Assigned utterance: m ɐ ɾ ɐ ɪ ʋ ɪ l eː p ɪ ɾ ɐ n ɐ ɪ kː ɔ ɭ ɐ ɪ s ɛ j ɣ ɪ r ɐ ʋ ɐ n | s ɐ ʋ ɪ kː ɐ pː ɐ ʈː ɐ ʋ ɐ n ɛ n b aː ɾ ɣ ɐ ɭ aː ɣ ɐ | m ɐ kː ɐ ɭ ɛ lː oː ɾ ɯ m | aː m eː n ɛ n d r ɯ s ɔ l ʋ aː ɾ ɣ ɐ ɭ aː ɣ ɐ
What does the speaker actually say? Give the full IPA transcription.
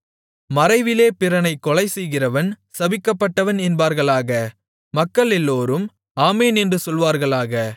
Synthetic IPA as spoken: m ɐ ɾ ɐ ɪ ʋ ɪ l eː p ɪ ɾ ɐ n ɐ ɪ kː ɔ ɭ ɐ ɪ s ɛ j ɣ ɪ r ɐ ʋ ɐ n | s ɐ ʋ ɪ kː ɐ pː ɐ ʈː ɐ ʋ ɐ n ɛ n b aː ɾ ɣ ɐ ɭ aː ɣ ɐ | m ɐ kː ɐ ɭ ɛ lː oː ɾ ɯ m | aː m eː n ɛ n d r ɯ s ɔ l ʋ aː ɾ ɣ ɐ ɭ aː ɣ ɐ